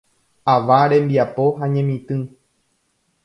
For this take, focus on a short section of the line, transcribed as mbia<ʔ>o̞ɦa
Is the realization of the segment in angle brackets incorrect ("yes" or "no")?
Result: yes